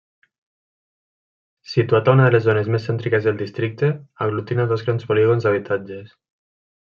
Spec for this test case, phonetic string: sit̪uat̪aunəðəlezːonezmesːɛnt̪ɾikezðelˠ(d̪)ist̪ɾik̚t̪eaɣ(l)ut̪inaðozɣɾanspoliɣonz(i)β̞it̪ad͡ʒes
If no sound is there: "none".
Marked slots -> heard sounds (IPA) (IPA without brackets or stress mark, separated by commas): d̪, l, a